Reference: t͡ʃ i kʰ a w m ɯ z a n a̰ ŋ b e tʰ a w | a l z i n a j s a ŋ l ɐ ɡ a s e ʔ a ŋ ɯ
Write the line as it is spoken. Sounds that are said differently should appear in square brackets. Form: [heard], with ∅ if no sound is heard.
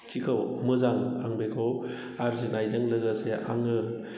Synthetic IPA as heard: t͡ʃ i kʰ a w m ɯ z a [ŋ] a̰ ŋ b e [kʰ] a w | a [ɾ] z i n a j [z] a ŋ l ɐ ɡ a s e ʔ a ŋ ɯ